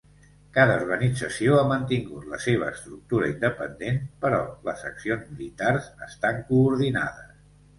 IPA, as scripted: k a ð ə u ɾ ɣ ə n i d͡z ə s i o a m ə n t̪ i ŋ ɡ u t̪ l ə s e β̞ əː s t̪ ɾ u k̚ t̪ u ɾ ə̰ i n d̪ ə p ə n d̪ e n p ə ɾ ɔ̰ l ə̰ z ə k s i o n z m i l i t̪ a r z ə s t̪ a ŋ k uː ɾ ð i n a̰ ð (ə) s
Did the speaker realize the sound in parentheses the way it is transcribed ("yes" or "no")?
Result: yes